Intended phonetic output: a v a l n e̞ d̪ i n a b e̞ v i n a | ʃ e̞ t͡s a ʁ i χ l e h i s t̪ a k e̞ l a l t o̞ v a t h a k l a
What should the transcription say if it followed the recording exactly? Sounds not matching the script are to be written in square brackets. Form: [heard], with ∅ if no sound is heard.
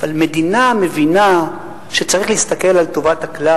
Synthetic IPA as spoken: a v a l [m] e̞ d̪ i n a [m] e̞ v i n a | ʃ e̞ t͡s a ʁ i χ l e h i s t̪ a k e̞ l a l t o̞ v a t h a k l a